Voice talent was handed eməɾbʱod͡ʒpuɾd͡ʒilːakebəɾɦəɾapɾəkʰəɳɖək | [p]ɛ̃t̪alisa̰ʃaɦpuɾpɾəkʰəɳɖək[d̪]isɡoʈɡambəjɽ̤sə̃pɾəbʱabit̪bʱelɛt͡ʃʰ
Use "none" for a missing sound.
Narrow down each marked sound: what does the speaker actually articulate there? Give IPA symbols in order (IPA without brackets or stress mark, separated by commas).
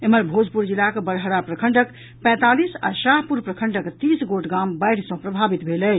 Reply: p, t̪